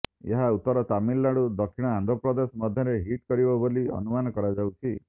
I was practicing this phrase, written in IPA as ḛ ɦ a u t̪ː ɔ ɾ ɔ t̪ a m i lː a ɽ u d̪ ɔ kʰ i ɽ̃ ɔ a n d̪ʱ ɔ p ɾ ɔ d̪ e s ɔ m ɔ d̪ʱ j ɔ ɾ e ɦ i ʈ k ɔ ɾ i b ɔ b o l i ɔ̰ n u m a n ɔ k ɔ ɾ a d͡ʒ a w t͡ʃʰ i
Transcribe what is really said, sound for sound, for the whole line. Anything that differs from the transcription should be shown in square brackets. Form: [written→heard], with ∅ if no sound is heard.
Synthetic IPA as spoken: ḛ ɦ a u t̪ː ɔ ɾ ɔ t̪ a m i lː a ɽ u d̪ ɔ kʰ i ɽ̃ ɔ a n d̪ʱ ɔ p ɾ ɔ d̪ e s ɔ m ɔ d̪ʱ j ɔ ɾ e ɦ i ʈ k ɔ ɾ i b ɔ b o l i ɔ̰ n u m a n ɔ k ɔ ɾ a d͡ʒ a w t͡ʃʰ i